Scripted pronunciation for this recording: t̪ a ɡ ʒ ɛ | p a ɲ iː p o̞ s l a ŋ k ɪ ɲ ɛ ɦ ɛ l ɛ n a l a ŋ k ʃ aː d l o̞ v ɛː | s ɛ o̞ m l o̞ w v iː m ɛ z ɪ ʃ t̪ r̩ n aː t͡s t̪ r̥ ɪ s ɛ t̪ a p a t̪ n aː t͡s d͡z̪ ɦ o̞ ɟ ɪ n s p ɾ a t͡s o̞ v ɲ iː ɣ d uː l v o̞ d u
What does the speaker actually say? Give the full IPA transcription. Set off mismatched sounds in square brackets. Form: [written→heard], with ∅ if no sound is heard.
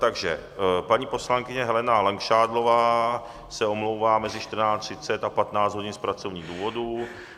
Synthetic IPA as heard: t̪ a ɡ ʒ ɛ | p a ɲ iː p o̞ s l a ŋ k ɪ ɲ ɛ ɦ ɛ l ɛ n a l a ŋ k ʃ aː d l o̞ v [ɛː→aː] | s ɛ o̞ m l o̞ w v [iː→aː] m ɛ z ɪ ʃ t̪ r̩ n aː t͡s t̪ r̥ ɪ [s→t͡s] ɛ t̪ a p a t̪ n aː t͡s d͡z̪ ɦ o̞ ɟ ɪ n s p ɾ a t͡s o̞ v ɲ iː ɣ d uː [l→∅] v o̞ d u